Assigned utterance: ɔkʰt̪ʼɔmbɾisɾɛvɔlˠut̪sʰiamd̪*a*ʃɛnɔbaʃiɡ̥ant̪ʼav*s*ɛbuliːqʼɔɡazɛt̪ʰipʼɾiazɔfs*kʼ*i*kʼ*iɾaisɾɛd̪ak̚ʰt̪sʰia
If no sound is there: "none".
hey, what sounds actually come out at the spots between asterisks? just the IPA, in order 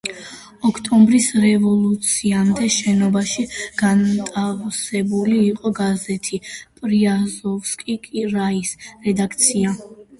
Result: ɛ, s, kʼ, kʼ

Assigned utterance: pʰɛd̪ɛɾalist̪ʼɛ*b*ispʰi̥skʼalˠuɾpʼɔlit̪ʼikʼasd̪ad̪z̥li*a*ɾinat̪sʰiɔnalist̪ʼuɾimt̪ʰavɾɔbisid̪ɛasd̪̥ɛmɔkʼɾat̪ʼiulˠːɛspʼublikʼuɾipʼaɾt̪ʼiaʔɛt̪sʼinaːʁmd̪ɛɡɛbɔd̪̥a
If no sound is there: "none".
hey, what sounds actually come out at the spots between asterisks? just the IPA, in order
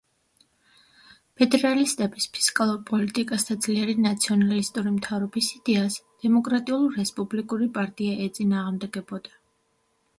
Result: b, ɛ

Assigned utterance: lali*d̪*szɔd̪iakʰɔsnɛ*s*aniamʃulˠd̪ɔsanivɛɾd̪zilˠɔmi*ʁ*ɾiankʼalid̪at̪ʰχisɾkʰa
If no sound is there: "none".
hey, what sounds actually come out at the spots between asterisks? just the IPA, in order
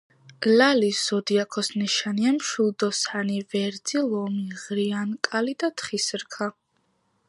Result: none, ʃ, ʁ

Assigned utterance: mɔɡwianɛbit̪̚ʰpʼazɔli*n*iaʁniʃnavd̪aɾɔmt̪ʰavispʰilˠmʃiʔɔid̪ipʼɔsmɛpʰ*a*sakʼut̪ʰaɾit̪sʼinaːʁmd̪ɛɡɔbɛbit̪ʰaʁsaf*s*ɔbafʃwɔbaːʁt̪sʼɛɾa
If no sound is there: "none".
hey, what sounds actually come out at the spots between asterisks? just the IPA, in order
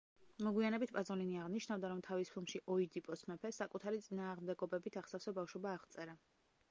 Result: n, ɛ, s

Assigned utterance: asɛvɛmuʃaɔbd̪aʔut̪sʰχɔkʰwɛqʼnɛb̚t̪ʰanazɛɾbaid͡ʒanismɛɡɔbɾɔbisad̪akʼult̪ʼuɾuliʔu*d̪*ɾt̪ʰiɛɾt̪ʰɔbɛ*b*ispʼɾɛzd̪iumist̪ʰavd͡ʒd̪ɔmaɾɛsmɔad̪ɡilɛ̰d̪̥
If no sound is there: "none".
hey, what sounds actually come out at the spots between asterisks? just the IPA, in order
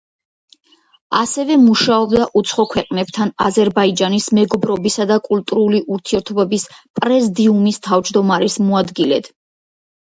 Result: none, b

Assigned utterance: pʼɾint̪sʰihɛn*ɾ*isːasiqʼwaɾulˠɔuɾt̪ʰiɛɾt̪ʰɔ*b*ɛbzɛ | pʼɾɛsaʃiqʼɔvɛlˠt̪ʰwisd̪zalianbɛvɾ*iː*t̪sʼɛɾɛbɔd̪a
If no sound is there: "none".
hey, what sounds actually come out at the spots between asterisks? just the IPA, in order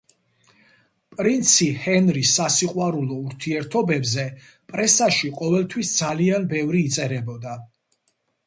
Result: ɾ, b, iː

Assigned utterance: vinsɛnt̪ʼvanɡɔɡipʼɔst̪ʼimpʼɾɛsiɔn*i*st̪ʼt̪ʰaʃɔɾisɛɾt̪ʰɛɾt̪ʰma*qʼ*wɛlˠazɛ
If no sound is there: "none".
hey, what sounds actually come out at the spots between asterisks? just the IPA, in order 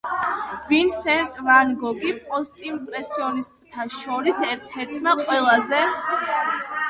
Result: i, qʼ

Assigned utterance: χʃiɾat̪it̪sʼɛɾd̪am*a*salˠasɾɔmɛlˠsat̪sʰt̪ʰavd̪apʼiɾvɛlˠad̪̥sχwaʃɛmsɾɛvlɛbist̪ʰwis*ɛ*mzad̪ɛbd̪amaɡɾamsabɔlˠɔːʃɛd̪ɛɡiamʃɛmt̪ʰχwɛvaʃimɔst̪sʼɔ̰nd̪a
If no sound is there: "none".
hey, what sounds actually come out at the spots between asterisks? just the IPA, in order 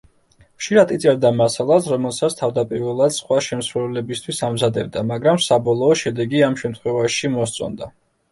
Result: a, a

